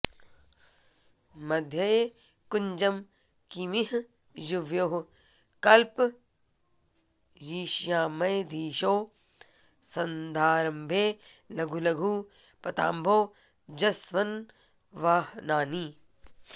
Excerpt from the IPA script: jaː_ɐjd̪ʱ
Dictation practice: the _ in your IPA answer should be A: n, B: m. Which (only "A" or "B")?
B